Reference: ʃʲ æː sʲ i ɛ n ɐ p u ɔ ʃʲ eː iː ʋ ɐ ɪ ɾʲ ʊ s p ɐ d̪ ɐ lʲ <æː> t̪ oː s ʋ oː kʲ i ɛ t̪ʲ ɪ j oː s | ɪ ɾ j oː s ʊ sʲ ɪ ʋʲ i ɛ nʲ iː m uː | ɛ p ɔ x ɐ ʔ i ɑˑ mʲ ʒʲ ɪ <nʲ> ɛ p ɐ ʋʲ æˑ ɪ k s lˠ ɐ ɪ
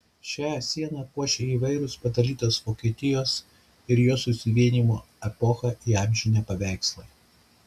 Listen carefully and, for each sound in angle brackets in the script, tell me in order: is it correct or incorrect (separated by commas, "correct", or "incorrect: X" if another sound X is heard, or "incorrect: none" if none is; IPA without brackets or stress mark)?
incorrect: iː, correct